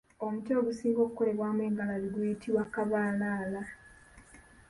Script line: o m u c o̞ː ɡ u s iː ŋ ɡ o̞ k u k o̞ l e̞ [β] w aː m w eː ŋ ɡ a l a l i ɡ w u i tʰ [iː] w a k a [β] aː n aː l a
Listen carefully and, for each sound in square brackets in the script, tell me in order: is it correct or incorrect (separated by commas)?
correct, incorrect, correct